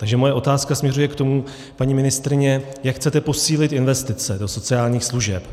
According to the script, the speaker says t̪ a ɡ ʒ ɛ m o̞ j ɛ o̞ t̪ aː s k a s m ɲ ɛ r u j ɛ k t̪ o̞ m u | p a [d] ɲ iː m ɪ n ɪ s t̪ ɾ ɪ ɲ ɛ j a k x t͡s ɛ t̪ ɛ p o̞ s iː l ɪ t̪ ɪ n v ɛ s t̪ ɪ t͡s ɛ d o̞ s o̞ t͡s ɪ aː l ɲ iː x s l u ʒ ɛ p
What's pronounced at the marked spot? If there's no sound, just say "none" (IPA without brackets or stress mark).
none